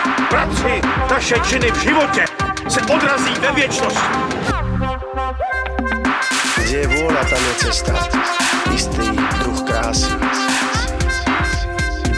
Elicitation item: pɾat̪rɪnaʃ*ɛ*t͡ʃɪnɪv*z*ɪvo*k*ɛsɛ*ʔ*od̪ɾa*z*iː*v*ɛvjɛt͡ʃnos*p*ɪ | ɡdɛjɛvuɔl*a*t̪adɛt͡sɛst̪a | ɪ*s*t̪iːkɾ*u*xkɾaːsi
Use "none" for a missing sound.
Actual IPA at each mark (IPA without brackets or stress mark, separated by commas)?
ɛ, ʒ, c, ʔ, z, v, c, a, s, u